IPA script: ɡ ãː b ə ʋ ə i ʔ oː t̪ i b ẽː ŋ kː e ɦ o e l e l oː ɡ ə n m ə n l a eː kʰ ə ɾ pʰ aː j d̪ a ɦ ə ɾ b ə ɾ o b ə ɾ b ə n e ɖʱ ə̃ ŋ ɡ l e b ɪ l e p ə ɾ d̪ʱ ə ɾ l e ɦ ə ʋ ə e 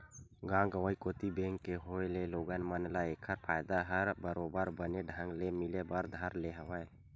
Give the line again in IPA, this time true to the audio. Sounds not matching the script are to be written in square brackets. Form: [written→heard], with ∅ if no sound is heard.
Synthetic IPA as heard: ɡ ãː [b→ɡ] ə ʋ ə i [ʔ→k] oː t̪ i b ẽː ŋ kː e ɦ o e l e l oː ɡ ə n m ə n l a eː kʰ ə ɾ pʰ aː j d̪ a ɦ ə ɾ b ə ɾ o b ə ɾ b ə n e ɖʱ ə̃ ŋ ɡ l e [b→m] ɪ l e [p→b] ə ɾ d̪ʱ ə ɾ l e ɦ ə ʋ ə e